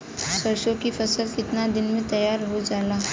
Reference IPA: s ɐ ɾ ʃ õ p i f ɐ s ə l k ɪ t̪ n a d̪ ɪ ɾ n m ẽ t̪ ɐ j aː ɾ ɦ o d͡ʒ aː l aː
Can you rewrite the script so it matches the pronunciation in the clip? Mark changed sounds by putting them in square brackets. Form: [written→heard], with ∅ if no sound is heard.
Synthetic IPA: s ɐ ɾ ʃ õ [p→k] i f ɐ s ə l k ɪ t̪ n a d̪ ɪ [ɾ→∅] n m ẽ t̪ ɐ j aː ɾ ɦ o d͡ʒ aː l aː